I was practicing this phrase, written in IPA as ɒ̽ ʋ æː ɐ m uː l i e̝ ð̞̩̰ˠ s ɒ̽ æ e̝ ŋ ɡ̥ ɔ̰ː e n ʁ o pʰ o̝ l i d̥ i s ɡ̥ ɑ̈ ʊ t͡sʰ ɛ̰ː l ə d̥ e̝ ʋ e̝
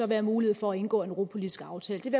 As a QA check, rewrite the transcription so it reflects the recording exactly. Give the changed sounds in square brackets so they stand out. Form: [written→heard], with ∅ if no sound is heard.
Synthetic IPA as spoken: ɒ̽ ʋ æː ɐ m uː l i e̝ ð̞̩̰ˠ [s→f] ɒ̽ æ e̝ [ŋ→n] ɡ̥ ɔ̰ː e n ʁ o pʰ o̝ l i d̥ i s ɡ̥ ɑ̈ ʊ t͡sʰ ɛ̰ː l ə d̥ e̝ ʋ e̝